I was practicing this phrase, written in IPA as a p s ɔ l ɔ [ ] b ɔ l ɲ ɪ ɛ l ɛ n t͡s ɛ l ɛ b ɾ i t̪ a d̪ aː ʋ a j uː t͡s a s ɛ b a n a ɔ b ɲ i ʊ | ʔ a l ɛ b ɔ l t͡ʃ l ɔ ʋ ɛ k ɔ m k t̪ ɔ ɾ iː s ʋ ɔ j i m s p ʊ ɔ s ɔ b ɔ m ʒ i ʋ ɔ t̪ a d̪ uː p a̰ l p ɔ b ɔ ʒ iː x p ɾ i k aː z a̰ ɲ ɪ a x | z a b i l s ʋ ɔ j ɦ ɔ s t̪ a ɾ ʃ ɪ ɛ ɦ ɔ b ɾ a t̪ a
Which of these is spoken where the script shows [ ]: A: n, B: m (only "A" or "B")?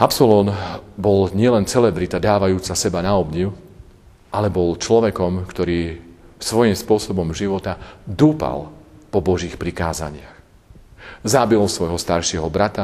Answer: A